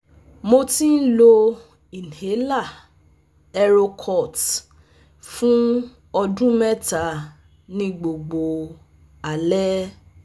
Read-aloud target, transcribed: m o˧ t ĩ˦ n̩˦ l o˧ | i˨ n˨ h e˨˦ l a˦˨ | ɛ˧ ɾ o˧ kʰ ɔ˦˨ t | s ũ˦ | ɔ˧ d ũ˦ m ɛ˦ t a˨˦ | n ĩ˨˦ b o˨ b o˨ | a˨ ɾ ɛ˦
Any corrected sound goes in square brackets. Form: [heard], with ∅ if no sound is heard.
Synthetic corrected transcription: m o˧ t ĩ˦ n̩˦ l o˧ | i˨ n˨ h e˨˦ l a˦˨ | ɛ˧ ɾ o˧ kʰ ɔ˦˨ t | [f] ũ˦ | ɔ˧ d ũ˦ m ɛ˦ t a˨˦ | n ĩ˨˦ [ɡ͡b] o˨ [ɡ͡b] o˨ | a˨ [l] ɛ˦